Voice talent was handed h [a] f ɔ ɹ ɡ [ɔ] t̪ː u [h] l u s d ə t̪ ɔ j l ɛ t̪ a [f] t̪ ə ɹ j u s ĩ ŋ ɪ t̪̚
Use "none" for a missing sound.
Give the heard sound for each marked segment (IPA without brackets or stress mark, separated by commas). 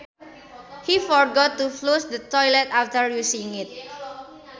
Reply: i, ɔ, f, f